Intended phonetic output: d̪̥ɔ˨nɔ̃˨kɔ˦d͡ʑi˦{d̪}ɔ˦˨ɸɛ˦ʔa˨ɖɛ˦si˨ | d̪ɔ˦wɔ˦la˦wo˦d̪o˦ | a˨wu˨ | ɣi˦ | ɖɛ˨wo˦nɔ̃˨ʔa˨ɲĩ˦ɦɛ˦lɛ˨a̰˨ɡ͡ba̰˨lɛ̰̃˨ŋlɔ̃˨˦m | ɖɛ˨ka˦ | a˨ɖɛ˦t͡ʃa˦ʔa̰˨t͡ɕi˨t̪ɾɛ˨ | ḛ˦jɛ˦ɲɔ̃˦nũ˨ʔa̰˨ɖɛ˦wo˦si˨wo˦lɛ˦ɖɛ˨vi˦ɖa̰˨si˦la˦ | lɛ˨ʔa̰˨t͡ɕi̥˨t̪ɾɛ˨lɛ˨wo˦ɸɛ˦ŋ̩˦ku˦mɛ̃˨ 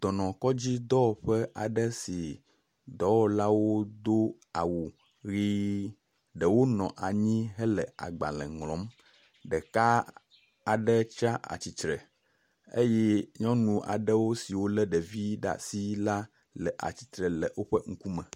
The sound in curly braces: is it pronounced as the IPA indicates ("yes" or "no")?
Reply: yes